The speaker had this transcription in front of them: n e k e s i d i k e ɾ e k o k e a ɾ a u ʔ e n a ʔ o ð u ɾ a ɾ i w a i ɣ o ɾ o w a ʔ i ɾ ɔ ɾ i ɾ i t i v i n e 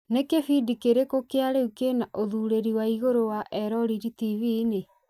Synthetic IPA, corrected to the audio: n e k e f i d i k e ɾ e k o k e a ɾ e u k e n a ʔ o ð u ɾ e ɾ i w a i ɣ o ɾ o w a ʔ ɛ ɾ ɔ ɾ i ɾ i t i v i n e